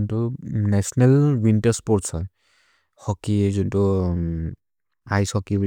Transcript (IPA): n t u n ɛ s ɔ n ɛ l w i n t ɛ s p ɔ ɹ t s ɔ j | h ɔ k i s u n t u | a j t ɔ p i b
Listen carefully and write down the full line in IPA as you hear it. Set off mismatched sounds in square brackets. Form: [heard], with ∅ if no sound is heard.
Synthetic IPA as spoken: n t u n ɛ s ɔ n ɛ l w i n t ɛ s p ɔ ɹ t s ɔ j | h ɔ k i [z] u n t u | a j [s] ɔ [k] i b